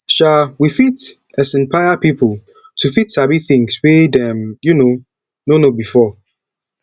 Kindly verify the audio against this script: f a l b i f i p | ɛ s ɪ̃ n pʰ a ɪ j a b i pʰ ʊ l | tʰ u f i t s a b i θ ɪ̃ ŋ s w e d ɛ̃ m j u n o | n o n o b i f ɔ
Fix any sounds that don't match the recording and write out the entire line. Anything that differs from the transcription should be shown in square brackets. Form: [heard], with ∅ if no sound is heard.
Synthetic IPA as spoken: [ʃ] a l [w] i f i [t] | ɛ s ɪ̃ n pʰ a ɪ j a [p] i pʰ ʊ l | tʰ u f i t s a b i θ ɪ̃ ŋ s w e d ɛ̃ m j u n o | n o n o b i f ɔ